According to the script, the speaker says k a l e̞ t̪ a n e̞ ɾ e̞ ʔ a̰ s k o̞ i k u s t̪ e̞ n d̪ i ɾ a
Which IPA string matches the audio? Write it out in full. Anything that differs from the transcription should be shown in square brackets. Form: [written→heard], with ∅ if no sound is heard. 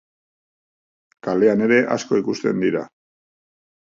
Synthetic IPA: k a l e̞ [t̪→∅] a n e̞ ɾ e̞ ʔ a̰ s k o̞ i k u s t̪ e̞ n d̪ i ɾ a

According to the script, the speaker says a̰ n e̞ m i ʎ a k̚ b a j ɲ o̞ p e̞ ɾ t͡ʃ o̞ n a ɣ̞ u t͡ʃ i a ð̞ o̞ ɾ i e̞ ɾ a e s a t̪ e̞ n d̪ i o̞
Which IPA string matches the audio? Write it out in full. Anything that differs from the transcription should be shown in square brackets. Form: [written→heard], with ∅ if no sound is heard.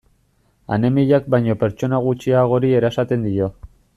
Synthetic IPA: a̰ n e̞ m i ʎ a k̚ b a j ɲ o̞ p e̞ ɾ t͡ʃ o̞ n a ɣ̞ u t͡ʃ i a [ð̞→ɣ̞] o̞ ɾ i e̞ ɾ a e s a t̪ e̞ n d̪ i o̞

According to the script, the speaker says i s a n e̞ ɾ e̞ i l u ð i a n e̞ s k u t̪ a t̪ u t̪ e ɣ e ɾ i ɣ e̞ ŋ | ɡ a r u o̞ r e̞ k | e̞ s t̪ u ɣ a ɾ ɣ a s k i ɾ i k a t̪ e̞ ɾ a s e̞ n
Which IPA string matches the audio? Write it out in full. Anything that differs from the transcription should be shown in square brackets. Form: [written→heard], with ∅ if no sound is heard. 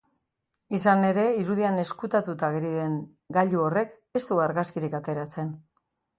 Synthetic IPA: i s a n e̞ ɾ e̞ i [l→ɾ] u ð i a n e̞ s k u t̪ a t̪ u t̪ [e→a] ɣ e ɾ i [ɣ→ð] e̞ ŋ | ɡ a [r→ʎ] u o̞ r e̞ k | e̞ s t̪ u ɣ a ɾ ɣ a s k i ɾ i k a t̪ e̞ ɾ a [s→t͡s] e̞ n

